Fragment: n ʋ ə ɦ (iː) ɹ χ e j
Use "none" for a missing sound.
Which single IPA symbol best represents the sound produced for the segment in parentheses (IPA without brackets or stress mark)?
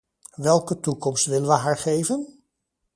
aː